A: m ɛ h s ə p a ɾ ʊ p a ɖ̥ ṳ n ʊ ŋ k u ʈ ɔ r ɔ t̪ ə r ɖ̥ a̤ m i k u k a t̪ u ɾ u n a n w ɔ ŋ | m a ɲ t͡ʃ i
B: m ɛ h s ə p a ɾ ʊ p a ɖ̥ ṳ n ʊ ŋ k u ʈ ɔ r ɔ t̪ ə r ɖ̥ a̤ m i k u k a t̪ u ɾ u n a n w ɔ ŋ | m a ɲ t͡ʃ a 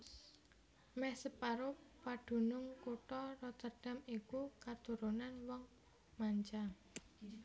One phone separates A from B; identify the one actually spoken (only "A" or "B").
B